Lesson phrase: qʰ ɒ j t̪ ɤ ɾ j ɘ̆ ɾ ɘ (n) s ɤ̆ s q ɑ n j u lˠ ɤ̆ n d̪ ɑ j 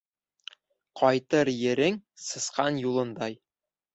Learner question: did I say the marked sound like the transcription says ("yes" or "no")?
no